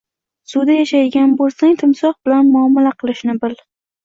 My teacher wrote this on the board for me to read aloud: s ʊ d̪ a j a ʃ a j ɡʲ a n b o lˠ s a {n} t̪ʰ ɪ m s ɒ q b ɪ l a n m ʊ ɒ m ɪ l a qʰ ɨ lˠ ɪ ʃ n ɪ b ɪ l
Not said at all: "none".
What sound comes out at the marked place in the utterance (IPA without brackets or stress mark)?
ŋ